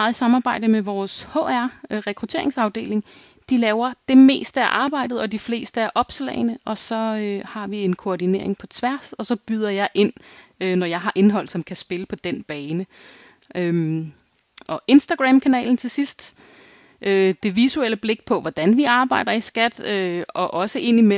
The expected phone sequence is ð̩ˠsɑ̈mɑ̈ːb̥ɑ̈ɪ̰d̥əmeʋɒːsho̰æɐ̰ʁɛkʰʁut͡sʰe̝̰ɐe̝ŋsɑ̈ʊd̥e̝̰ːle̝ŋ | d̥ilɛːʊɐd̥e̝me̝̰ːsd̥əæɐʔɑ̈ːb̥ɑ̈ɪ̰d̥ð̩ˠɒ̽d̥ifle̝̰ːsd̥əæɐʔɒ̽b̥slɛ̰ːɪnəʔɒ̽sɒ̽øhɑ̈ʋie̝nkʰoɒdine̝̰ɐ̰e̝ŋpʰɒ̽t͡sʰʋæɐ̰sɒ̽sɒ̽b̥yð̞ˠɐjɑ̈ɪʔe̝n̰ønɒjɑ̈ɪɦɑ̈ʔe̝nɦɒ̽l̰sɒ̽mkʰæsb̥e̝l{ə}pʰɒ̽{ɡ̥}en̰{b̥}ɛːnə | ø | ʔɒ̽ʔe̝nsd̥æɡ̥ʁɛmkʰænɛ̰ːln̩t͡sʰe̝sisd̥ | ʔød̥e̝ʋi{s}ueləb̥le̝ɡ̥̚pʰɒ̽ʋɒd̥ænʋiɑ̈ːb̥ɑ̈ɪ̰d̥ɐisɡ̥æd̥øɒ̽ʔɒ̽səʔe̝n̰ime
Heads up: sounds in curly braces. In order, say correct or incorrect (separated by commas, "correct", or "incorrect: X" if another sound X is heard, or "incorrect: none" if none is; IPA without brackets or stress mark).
correct, incorrect: d̥, correct, correct